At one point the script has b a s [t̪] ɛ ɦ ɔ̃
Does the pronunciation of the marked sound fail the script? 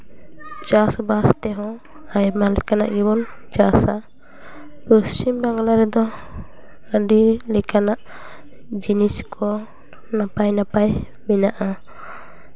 no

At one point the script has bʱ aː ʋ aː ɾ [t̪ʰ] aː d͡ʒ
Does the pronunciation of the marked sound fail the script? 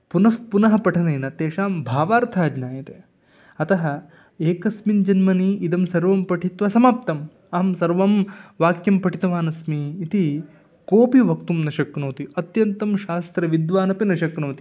no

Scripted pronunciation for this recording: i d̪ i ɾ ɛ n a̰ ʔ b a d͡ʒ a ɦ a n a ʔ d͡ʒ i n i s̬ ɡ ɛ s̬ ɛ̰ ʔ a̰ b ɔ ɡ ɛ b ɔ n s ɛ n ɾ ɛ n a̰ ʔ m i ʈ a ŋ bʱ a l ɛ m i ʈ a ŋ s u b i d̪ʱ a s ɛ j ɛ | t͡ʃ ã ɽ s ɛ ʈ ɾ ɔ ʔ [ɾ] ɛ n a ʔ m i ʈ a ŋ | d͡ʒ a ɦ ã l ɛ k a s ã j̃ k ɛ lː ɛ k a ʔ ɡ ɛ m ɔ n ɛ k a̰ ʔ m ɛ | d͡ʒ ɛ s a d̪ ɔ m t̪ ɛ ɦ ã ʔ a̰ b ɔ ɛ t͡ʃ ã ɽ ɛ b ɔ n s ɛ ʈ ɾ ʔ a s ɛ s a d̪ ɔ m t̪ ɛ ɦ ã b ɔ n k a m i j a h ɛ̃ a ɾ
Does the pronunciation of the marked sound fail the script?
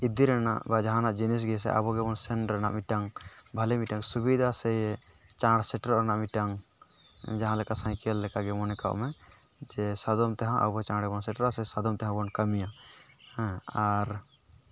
no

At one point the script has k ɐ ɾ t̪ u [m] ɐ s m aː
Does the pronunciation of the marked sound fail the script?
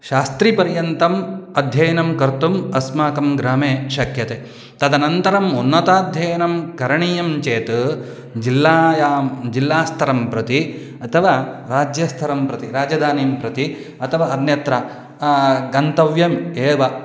no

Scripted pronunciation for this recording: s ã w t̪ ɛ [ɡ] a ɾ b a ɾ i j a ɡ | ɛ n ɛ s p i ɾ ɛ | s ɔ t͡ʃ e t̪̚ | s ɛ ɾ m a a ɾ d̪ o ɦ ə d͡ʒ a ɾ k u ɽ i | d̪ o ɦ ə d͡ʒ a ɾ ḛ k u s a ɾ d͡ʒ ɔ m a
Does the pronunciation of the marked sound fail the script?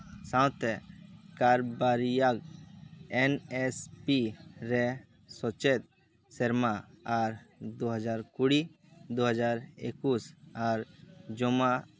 yes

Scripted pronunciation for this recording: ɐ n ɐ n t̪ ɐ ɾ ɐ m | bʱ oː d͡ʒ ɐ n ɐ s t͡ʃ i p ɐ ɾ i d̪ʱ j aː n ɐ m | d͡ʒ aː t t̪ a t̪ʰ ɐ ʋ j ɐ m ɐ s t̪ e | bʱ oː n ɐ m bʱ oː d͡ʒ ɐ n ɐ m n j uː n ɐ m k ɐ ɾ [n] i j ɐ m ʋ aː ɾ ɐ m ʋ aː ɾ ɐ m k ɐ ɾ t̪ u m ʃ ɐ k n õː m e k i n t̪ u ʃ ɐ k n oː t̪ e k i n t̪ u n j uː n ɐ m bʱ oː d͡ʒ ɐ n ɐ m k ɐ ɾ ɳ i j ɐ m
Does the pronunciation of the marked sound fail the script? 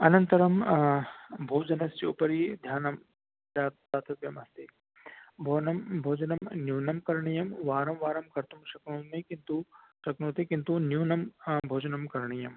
yes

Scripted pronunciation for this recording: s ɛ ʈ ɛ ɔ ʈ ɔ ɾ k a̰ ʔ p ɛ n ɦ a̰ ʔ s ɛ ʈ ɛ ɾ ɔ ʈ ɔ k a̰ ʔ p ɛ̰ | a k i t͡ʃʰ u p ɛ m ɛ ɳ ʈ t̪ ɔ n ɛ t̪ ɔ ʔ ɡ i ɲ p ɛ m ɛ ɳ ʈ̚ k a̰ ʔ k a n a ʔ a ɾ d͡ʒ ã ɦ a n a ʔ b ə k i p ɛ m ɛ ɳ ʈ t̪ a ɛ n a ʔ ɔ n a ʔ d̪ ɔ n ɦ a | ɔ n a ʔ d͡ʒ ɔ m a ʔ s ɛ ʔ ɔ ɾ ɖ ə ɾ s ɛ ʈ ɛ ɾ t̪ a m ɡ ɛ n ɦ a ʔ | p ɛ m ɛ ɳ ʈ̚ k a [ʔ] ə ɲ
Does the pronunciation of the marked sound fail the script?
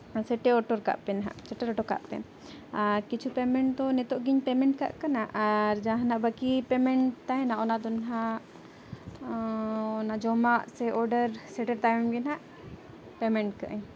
no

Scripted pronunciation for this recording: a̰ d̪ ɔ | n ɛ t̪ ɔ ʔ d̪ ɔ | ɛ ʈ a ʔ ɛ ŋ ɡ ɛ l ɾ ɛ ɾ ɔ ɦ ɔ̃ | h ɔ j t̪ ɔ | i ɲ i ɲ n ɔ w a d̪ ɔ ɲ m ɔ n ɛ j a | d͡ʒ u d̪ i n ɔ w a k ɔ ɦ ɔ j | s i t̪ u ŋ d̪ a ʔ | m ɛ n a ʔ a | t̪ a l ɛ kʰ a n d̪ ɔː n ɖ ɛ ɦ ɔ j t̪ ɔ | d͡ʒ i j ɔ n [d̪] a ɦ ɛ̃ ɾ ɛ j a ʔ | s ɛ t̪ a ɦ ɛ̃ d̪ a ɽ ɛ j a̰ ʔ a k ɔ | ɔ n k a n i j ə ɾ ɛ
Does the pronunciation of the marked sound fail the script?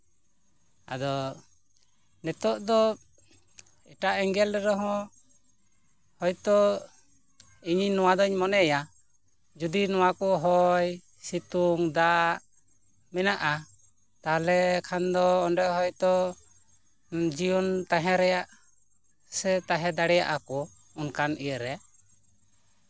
yes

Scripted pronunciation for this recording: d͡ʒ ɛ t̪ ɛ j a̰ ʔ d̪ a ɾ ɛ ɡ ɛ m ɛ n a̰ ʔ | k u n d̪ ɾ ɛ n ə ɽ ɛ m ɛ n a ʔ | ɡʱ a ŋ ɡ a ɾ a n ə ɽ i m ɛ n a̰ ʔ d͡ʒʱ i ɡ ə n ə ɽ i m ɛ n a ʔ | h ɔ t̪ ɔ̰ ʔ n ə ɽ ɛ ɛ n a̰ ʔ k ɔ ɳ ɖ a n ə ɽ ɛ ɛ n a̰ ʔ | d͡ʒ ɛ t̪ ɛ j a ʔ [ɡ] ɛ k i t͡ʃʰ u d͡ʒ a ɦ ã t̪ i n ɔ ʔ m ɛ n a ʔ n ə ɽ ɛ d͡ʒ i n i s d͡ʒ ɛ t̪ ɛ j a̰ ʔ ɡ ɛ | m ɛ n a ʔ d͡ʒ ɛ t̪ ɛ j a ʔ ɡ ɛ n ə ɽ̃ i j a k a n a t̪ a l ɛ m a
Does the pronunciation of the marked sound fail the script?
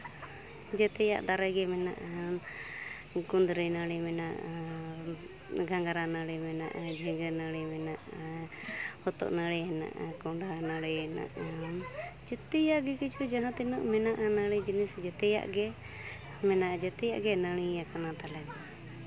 no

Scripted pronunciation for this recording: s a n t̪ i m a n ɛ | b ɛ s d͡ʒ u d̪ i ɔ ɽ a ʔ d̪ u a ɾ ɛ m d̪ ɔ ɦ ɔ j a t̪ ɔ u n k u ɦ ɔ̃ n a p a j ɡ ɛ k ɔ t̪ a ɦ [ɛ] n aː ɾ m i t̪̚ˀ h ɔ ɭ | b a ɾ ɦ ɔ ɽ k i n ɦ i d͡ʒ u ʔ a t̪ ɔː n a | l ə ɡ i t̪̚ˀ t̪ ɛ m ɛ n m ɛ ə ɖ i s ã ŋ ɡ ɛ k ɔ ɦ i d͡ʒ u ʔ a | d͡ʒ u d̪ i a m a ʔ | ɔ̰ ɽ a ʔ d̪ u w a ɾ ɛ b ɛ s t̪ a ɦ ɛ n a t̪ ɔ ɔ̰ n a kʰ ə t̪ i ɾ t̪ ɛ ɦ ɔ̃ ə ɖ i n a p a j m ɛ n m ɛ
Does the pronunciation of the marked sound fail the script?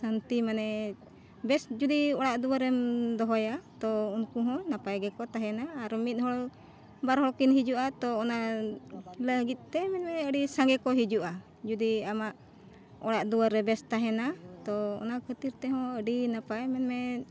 no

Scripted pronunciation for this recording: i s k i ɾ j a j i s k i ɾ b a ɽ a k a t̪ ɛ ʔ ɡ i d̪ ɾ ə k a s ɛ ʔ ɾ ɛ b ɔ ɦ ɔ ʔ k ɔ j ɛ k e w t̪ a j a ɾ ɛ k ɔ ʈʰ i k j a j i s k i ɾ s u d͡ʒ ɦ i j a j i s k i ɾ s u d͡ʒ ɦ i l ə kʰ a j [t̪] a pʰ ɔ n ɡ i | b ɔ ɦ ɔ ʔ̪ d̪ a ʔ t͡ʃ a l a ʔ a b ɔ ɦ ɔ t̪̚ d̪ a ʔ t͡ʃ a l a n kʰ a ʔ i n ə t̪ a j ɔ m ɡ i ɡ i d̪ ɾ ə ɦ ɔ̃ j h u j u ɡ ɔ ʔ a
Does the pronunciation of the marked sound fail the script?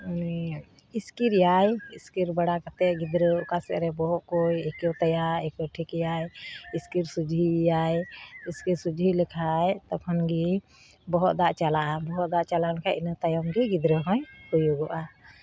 no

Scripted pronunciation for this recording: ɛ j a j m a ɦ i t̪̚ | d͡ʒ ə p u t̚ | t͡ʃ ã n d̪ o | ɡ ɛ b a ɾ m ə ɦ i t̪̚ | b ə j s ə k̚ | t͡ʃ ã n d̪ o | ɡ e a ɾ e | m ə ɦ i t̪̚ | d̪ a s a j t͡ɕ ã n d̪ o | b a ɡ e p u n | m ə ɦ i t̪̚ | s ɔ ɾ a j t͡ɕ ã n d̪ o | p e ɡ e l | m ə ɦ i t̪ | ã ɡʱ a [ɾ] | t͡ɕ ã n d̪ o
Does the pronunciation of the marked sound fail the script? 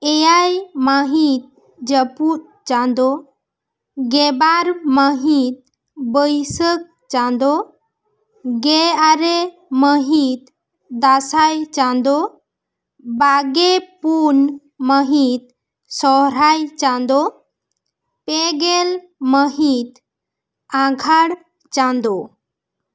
yes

